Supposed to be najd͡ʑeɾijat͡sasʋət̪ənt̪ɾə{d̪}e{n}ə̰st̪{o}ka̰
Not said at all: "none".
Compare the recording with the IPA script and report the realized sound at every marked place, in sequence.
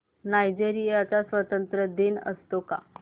d̪, n, o

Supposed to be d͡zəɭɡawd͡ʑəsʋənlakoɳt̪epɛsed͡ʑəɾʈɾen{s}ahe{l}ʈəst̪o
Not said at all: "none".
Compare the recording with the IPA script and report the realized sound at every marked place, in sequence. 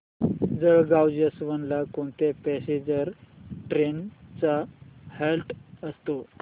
t͡s, l

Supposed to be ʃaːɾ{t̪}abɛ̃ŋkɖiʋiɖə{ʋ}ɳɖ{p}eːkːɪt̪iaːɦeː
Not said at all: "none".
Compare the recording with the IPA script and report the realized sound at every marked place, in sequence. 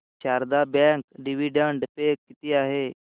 d̪, none, p

